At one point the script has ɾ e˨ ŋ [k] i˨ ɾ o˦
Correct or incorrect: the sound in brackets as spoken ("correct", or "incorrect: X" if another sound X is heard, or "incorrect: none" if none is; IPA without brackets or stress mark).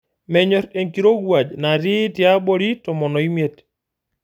correct